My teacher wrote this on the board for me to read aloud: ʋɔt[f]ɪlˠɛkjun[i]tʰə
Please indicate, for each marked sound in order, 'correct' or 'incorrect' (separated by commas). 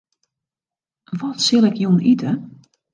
incorrect, correct